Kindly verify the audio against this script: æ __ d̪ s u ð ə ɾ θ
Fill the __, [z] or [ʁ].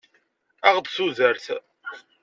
ʁ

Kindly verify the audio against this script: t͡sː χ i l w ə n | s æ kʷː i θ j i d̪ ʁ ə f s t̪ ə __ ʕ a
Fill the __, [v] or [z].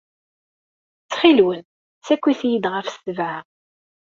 v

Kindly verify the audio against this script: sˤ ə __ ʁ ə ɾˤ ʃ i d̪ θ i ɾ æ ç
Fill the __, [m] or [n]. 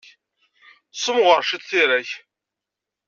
m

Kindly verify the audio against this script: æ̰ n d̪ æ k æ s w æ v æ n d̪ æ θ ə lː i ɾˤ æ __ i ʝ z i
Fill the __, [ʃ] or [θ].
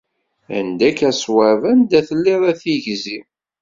θ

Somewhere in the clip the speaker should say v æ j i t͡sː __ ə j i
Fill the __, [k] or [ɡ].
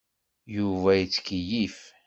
k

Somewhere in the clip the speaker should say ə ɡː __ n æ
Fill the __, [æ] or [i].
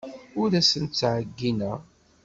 i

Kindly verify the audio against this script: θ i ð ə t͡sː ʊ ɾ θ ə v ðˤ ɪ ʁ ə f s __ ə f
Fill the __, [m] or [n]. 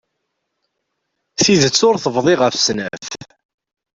n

